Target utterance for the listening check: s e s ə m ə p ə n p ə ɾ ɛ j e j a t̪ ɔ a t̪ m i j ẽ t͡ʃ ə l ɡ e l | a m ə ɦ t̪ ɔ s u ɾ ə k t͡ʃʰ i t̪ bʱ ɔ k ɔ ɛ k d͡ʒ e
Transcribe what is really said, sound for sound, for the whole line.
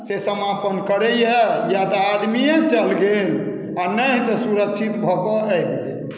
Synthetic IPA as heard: s e s ə m a p ə n k ə ɾ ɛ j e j a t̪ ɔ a d̪ m i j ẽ t͡ʃ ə l ɡ e l | a n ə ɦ t̪ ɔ s u ɾ ə k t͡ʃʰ i t̪ bʱ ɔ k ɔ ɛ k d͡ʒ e